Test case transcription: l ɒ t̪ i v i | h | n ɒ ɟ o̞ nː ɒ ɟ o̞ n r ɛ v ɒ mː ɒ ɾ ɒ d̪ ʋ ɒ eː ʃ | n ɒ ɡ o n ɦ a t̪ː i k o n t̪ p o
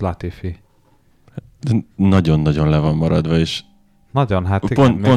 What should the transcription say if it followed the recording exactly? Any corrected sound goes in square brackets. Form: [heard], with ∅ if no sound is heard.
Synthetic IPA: l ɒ t̪ i [f] i | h | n ɒ ɟ o̞ nː ɒ ɟ o̞ n [l] ɛ v ɒ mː ɒ ɾ ɒ d̪ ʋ ɒ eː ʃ | n ɒ [ɟ] o n ɦ a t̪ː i [p] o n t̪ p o